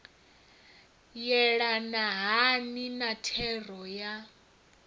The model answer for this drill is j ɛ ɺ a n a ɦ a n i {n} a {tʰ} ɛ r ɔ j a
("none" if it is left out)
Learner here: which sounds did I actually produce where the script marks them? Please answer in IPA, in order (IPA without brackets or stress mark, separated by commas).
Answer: n, tʰ